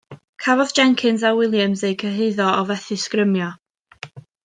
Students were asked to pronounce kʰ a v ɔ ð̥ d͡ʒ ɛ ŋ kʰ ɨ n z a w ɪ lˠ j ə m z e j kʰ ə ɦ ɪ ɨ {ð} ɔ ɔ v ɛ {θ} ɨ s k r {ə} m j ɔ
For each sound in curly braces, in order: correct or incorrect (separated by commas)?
correct, correct, correct